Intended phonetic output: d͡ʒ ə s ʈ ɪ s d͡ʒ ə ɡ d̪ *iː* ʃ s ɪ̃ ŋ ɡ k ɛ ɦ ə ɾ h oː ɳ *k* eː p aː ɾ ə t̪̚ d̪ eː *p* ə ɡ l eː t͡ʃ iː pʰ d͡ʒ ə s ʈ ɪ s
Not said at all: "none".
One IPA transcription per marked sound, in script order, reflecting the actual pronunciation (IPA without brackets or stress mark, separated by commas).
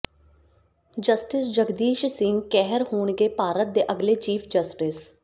iː, ɡ, ʔ